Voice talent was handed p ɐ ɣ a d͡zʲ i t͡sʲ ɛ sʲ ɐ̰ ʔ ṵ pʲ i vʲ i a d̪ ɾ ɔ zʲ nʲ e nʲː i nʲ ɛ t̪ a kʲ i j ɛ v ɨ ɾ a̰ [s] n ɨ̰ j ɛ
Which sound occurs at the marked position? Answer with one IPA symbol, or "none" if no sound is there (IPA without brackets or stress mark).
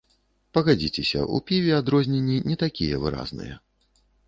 z